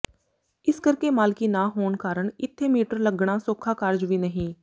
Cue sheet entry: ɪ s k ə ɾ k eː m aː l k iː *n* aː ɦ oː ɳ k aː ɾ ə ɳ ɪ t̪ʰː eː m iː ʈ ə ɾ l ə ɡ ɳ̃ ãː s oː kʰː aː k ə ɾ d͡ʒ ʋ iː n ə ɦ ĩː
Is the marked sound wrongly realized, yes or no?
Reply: no